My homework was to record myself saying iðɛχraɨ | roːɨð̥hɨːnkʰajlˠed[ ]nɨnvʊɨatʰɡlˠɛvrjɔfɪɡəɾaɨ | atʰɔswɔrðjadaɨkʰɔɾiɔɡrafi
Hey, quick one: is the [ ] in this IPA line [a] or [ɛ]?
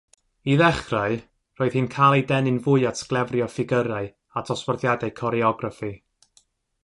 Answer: ɛ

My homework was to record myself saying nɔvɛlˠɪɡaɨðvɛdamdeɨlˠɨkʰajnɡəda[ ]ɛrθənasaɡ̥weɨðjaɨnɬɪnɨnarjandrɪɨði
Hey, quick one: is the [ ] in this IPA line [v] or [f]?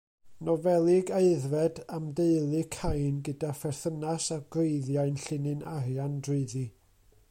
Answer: f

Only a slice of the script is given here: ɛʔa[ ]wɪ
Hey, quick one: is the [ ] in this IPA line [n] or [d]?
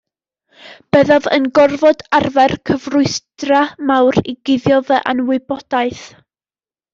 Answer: n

